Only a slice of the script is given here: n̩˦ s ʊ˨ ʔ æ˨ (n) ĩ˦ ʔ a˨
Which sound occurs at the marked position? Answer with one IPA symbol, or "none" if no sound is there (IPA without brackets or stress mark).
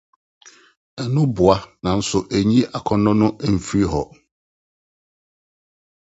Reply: ɲ